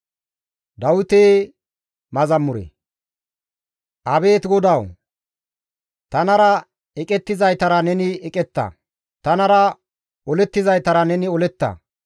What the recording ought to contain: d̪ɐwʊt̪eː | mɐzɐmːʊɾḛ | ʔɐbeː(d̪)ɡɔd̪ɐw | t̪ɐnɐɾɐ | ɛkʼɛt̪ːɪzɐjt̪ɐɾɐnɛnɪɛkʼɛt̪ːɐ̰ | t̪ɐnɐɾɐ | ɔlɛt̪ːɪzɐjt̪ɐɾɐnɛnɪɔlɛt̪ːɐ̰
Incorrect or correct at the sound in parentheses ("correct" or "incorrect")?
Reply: incorrect